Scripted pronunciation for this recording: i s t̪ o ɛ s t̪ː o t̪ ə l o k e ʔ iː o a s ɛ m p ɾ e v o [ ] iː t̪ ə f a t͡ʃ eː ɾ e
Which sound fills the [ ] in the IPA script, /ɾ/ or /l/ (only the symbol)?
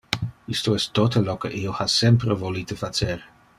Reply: l